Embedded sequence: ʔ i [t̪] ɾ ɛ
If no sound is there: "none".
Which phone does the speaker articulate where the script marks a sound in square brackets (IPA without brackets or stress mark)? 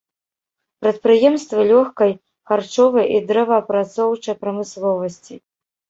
d̪